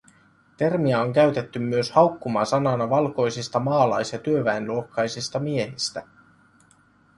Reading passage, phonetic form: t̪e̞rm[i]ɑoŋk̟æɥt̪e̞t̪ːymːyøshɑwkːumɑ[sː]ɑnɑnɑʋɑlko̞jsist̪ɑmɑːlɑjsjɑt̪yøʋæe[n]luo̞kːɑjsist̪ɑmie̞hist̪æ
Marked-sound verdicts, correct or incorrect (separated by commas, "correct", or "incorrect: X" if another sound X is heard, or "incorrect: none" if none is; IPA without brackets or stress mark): correct, incorrect: s, correct